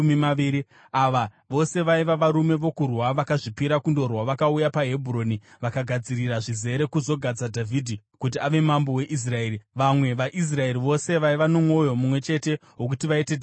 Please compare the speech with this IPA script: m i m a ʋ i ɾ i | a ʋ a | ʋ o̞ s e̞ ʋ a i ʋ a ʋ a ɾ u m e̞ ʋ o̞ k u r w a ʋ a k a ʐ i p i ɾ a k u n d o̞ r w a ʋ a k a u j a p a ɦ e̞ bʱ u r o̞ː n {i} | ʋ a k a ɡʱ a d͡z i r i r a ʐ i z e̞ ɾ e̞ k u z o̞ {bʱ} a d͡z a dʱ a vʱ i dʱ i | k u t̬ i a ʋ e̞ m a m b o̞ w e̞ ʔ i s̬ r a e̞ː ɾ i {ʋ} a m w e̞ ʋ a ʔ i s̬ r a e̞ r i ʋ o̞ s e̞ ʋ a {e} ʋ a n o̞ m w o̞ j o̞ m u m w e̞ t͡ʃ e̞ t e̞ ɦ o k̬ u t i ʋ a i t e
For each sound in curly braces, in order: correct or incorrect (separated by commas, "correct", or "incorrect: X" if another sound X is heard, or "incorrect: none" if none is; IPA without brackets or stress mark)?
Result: correct, incorrect: ɡʱ, correct, incorrect: i